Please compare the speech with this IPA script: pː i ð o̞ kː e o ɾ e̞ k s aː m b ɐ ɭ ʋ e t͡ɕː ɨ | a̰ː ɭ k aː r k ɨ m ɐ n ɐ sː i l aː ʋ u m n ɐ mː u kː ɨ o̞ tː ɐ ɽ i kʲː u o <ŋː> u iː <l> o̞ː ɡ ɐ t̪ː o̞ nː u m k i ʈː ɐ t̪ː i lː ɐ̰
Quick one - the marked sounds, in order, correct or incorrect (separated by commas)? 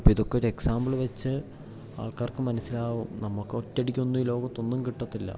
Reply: incorrect, correct